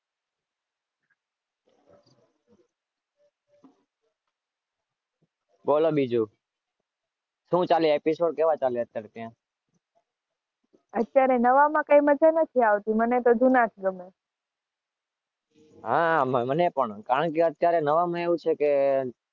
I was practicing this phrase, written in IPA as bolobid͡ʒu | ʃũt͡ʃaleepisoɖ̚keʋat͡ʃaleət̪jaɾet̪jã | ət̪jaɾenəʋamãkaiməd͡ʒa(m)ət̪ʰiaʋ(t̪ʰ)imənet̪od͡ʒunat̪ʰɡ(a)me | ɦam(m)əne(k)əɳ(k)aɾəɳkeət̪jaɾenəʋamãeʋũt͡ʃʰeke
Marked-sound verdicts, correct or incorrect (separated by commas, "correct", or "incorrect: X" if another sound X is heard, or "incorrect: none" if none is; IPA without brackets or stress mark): incorrect: n, incorrect: t̪, incorrect: ə, correct, incorrect: p, correct